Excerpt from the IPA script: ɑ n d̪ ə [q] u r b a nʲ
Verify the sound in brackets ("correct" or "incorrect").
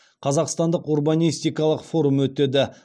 correct